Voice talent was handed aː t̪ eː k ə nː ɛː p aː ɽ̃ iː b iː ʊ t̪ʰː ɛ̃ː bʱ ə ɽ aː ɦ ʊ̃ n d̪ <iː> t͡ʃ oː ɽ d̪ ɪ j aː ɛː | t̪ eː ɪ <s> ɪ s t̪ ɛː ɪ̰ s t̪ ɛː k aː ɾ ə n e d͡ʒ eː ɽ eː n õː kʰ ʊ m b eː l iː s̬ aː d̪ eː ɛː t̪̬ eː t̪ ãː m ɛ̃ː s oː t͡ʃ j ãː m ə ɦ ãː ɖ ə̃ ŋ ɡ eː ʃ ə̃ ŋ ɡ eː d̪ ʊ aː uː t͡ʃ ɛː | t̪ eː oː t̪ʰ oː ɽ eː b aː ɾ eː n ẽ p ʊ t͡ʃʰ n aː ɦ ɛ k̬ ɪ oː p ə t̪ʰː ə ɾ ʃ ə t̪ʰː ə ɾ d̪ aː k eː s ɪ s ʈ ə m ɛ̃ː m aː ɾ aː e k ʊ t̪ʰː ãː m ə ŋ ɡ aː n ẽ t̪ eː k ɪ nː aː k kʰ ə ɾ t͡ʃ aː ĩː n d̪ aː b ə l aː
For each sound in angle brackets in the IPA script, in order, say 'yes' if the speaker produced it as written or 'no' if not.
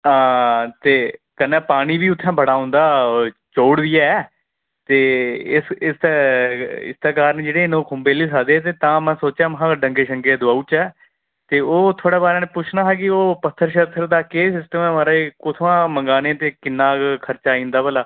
no, yes

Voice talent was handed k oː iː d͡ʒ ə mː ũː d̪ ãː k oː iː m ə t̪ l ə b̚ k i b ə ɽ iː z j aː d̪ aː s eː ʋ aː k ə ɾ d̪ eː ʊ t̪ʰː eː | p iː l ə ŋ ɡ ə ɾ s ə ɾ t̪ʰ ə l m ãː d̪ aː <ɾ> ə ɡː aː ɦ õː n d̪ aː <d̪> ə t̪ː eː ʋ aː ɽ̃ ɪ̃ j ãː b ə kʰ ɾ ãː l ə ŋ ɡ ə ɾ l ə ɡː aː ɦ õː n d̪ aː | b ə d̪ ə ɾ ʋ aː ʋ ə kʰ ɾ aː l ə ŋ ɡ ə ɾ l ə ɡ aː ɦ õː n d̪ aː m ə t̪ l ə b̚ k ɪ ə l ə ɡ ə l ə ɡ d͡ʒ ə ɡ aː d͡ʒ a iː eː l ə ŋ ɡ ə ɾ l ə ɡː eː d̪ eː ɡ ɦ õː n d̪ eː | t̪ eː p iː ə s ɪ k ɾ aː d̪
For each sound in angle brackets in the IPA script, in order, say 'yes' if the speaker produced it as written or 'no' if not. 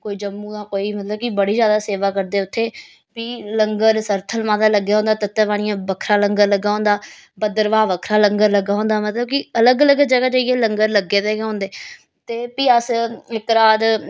no, no

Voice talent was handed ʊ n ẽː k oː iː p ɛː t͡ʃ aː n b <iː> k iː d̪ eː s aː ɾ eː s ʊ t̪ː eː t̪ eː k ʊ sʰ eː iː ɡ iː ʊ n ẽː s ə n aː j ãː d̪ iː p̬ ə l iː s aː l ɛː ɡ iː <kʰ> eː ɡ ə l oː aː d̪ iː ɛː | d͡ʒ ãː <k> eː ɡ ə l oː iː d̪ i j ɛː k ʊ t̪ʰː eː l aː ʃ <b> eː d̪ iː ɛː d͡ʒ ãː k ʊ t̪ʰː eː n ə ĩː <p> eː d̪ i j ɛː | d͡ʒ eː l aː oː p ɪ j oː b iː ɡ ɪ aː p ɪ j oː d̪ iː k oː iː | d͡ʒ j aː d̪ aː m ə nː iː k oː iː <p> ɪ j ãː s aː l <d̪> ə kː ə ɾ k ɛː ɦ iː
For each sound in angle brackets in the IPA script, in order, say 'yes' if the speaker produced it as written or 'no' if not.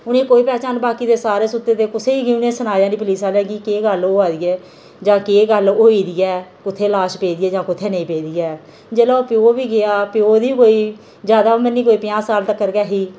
no, no, yes, no, yes, yes, no

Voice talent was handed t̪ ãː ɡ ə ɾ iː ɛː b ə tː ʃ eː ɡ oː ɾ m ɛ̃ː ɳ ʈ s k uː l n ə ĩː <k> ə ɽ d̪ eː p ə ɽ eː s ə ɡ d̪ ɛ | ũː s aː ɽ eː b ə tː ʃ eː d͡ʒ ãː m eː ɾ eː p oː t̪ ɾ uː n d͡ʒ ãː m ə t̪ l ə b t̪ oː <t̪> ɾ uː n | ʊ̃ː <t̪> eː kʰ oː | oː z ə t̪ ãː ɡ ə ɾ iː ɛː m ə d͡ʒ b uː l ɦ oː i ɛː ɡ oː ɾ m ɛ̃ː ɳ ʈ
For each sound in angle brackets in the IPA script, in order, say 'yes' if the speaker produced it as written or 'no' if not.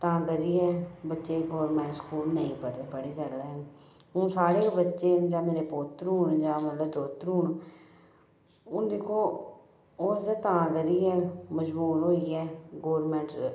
no, yes, no

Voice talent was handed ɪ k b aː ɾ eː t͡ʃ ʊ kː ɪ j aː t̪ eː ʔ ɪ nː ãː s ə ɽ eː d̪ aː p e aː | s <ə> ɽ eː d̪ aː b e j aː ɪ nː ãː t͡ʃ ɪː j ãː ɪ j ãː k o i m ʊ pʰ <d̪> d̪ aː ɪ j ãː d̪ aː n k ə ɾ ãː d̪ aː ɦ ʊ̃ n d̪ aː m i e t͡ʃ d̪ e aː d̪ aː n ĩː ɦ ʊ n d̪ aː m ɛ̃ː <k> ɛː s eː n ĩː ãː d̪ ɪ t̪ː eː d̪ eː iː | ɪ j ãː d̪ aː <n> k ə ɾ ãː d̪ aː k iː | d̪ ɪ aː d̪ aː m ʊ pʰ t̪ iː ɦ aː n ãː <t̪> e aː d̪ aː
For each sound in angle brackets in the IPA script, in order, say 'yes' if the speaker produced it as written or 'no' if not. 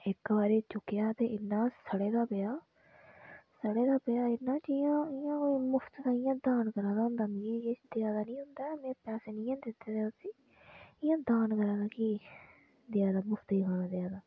yes, no, no, yes, no

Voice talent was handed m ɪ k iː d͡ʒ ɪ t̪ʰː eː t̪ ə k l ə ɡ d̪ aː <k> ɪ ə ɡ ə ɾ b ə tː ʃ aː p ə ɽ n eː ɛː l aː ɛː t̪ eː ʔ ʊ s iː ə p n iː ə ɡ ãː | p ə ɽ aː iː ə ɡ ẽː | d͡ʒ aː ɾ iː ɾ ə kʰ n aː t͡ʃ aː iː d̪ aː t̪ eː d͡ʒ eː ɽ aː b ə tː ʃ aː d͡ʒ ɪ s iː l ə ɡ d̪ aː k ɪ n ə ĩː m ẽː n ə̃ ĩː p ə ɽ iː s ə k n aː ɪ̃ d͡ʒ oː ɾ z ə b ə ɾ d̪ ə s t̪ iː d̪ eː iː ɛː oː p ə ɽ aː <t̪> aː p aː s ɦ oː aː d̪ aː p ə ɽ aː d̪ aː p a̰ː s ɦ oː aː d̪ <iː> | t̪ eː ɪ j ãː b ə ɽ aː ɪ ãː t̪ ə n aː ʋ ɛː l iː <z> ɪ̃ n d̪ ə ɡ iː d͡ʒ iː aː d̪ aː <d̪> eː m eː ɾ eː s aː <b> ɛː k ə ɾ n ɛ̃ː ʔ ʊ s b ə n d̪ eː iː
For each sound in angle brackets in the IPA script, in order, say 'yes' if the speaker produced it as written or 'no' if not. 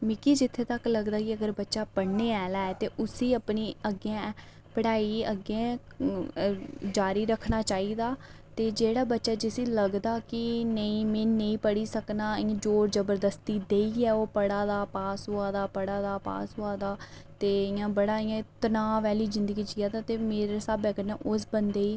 yes, no, no, yes, no, yes

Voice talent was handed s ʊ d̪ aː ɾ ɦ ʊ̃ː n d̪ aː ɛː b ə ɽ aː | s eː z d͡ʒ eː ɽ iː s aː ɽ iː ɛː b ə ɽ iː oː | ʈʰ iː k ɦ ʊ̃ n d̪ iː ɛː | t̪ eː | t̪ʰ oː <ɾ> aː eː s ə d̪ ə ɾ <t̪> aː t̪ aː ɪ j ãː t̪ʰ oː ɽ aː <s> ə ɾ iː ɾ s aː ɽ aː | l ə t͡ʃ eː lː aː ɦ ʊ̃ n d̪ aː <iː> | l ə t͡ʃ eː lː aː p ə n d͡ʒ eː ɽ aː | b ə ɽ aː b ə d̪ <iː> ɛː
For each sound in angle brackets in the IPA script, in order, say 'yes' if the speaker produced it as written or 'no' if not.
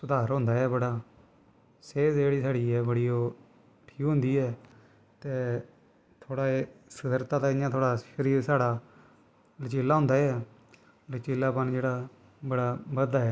no, yes, no, no, no

